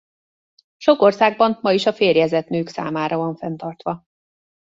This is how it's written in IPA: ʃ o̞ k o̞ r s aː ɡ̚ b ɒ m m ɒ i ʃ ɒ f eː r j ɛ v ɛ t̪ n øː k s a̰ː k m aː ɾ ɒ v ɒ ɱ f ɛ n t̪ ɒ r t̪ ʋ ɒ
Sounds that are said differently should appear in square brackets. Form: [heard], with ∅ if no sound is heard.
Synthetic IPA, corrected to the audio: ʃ o̞ k o̞ r s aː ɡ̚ b ɒ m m ɒ i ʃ ɒ f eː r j ɛ [z] ɛ t̪ n øː k s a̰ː [∅] m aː ɾ ɒ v ɒ ɱ f ɛ n t̪ ɒ r t̪ ʋ ɒ